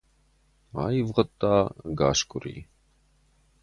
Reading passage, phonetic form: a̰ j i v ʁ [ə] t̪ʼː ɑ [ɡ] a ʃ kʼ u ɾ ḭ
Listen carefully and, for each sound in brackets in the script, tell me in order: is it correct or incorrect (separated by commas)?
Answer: correct, correct